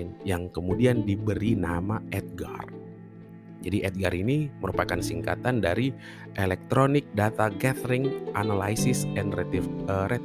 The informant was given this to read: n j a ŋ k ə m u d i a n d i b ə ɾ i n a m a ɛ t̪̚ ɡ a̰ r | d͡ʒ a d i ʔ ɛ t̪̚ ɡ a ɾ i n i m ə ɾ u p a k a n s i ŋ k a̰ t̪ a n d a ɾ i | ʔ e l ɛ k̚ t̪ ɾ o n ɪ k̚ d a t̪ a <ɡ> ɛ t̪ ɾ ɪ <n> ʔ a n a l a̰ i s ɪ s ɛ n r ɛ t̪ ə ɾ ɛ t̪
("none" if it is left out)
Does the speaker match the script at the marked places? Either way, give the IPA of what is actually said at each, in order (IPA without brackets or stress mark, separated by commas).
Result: ɡ, ŋ